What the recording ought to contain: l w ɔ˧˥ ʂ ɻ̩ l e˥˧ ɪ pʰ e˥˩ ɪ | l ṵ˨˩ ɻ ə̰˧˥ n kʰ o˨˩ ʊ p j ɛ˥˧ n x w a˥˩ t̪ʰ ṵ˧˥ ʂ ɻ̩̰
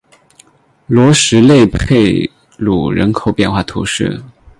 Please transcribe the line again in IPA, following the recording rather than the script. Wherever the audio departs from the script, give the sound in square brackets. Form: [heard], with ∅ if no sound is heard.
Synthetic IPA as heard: l w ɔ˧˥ ʂ ɻ̩ l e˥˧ ɪ pʰ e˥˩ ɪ | l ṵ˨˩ ɻ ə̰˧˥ n kʰ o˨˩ ʊ p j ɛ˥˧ n x w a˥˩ t̪ʰ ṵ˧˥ ʂ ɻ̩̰